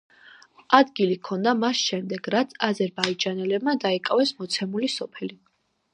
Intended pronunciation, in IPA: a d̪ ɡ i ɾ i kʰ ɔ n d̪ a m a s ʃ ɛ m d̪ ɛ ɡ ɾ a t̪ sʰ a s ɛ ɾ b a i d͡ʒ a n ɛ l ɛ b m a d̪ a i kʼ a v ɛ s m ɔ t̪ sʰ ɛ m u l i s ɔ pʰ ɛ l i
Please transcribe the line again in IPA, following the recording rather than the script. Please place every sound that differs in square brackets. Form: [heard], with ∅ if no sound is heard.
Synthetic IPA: a d̪ ɡ i [l] i kʰ ɔ n d̪ a m a s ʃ ɛ m d̪ ɛ ɡ ɾ a t̪ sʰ a [z] ɛ ɾ b a i d͡ʒ a n ɛ l ɛ b m a d̪ a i kʼ a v ɛ s m ɔ t̪ sʰ ɛ m u l i s ɔ pʰ ɛ l i